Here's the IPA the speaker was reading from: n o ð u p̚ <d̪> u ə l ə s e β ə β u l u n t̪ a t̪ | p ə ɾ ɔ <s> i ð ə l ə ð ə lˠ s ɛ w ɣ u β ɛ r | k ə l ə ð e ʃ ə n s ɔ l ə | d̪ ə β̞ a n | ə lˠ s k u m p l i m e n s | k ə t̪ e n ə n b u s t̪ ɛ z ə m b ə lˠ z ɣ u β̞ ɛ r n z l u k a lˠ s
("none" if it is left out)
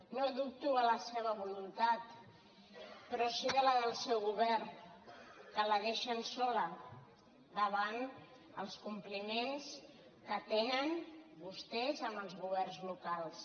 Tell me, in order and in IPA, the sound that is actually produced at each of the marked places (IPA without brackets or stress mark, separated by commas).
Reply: t̪, s